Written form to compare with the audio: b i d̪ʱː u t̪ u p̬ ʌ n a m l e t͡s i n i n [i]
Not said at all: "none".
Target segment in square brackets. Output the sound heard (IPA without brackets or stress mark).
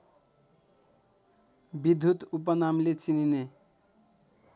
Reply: e